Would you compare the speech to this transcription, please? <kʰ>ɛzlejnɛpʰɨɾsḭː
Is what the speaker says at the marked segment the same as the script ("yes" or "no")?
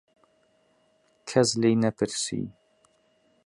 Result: yes